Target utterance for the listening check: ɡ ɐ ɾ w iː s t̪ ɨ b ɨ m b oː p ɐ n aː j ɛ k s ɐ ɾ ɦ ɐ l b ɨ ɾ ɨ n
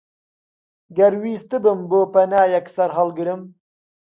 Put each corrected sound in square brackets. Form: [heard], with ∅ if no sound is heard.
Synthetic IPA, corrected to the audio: ɡ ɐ ɾ w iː s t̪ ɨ b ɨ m b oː p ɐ n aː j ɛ k s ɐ ɾ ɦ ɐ l [ɡ] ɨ ɾ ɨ [m]